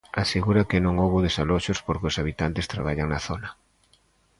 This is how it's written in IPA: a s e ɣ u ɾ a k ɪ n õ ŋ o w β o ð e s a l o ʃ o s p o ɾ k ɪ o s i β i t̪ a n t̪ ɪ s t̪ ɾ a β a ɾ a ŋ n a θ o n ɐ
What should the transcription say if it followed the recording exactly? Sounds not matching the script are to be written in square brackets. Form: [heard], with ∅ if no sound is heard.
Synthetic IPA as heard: a s e ɣ u ɾ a k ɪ n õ ŋ o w β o ð e s a l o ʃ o s p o ɾ k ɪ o s [a] β i t̪ a n t̪ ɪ s t̪ ɾ a β a [ʎ] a ŋ n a θ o n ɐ